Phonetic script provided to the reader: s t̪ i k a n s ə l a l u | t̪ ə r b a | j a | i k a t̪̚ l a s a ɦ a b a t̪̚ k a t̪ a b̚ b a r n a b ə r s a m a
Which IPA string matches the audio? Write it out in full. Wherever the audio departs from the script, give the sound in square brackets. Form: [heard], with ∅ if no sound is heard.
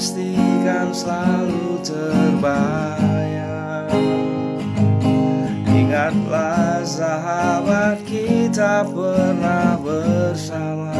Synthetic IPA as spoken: s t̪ i k a n s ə l a l u | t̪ ə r b a | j a | i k a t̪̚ l a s a ɦ a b a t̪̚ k [i] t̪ a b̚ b [ə] r n a b ə r s a m a

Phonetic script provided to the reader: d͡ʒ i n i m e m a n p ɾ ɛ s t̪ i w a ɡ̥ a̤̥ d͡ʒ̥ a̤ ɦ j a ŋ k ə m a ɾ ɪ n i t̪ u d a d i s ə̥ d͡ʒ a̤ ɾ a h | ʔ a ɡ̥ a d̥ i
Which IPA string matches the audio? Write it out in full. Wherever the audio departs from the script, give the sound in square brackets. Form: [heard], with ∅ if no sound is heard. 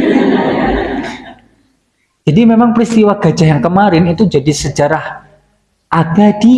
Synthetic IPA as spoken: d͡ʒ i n i m e m a [ŋ] p ɾ [i] s t̪ i w a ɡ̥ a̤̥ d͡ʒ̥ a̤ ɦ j a ŋ k ə m a ɾ ɪ n i t̪ u [d͡ʒ] a d i s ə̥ d͡ʒ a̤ ɾ a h | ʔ a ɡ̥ a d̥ i

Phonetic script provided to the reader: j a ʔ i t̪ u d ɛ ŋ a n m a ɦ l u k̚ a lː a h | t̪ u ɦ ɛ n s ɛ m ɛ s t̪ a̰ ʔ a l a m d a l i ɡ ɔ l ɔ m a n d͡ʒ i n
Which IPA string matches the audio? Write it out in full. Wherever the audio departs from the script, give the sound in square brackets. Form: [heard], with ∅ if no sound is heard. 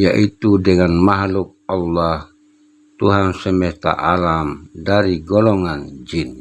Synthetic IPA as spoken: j a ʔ i t̪ u d ɛ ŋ a n m a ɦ l u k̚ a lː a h | t̪ u ɦ [a] n s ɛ m ɛ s t̪ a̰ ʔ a l a m d a [ɾ] i ɡ ɔ l ɔ [ŋ] a n d͡ʒ i n

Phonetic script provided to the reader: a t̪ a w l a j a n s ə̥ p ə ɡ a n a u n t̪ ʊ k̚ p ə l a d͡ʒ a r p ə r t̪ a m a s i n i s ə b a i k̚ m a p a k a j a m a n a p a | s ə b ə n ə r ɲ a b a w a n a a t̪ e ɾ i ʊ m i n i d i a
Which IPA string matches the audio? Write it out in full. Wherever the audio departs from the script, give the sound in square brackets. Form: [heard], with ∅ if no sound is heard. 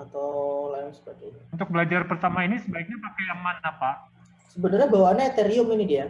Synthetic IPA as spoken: a t̪ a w l a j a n s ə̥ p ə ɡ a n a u n t̪ ʊ k̚ [b] ə l a d͡ʒ a r p ə r t̪ a m a [∅] i n i s ə b a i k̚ [ɲ] a p a k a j a m a n a p a | s ə b ə n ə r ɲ a b a w a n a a t̪ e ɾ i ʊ m i n i d i a

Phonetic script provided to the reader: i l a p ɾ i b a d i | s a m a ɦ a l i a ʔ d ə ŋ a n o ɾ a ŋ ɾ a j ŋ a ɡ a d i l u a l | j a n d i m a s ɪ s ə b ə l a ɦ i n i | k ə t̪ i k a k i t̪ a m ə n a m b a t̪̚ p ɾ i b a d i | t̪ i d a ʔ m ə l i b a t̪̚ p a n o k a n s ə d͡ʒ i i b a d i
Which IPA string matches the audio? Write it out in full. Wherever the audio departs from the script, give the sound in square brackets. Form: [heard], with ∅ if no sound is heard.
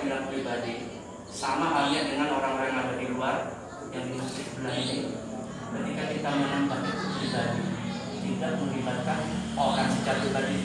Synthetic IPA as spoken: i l a p ɾ i b a d i | s a m a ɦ a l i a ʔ d ə ŋ a n o ɾ a ŋ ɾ a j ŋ a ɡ a d i l u a [r] | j a [ŋ] d i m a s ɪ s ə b ə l a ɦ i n i | k ə t̪ i k a k i t̪ a m ə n a m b a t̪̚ p ɾ i b a d i | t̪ i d a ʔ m ə l i b a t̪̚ [k] a n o k a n s ə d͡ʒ [a] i b a d i

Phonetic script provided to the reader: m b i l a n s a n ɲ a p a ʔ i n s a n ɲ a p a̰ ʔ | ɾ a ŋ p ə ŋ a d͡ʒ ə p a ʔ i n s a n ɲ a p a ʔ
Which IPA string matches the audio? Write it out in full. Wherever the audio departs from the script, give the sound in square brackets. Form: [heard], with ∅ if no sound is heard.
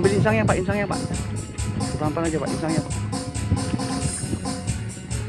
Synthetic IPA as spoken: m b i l [i] n s a [ŋ] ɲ a p a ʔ i n s a [ŋ] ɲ a p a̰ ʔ | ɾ a [m] p [a] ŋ a d͡ʒ [a] p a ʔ i n s a [ŋ] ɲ a p a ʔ

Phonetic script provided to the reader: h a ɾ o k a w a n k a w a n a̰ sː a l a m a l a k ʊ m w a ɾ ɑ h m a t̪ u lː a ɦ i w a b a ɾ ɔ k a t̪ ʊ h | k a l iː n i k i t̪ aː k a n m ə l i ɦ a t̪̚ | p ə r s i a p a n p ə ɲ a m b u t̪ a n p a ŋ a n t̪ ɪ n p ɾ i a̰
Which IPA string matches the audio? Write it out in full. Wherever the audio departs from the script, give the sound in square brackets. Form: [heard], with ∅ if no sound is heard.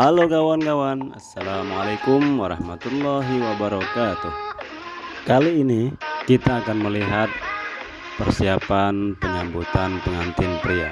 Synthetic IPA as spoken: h a [l] o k a w a n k a w a n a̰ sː a l a m a l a k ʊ m w a ɾ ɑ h m a t̪ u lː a ɦ i w a b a ɾ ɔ k a t̪ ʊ h | k a l iː n i k i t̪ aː k a n m ə l i ɦ a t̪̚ | p ə r s i a p a n p ə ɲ a m b u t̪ a n p [ə] ŋ a n t̪ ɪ n p ɾ i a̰

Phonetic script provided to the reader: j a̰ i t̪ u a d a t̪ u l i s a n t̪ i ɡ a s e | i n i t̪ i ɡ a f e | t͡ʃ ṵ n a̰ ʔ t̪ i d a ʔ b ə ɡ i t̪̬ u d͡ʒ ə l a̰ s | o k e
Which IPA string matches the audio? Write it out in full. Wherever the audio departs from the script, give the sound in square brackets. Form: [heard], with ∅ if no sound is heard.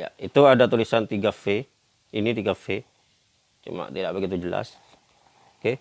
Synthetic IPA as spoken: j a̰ i t̪ u a d a t̪ u l i s a n t̪ i ɡ a [f] e | i n i t̪ i ɡ a f e | t͡ʃ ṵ [m] a̰ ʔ t̪ i d a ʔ b ə ɡ i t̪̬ u d͡ʒ ə l a̰ s | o k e

